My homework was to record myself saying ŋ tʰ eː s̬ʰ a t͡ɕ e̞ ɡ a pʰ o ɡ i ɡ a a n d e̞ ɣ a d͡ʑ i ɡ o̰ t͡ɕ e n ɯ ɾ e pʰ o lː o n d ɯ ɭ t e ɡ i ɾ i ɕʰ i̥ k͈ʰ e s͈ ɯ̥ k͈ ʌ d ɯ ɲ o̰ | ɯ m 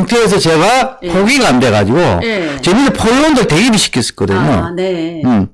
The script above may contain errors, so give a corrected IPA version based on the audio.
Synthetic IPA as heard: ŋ tʰ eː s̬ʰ ʌ t͡ɕ e̞ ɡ a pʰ o ɡ i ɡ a a n d e̞ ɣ a d͡ʑ i ɡ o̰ t͡ɕ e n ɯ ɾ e pʰ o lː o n d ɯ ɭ t e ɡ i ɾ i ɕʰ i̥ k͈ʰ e s͈ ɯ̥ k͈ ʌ d ɯ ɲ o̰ | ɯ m